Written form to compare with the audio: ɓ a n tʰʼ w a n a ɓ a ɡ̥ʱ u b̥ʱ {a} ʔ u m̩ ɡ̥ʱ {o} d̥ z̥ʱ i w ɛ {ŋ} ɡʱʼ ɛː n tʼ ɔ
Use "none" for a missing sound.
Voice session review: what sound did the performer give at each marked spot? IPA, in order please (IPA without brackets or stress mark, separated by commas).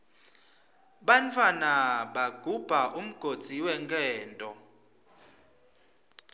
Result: a, o, ŋ